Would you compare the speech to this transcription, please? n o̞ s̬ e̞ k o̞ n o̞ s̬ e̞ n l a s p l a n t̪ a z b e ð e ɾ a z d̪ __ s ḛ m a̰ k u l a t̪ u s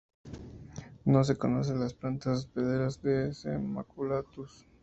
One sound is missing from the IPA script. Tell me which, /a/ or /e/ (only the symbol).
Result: e